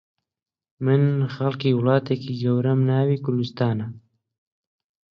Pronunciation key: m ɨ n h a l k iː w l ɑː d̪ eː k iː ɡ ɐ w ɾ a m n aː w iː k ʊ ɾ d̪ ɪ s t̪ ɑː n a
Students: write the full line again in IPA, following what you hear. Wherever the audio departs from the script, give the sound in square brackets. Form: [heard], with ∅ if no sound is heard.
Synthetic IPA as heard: m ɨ n [x] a l k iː w l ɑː [t̪] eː k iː ɡ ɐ w ɾ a m n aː w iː k ʊ ɾ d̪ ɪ s t̪ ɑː n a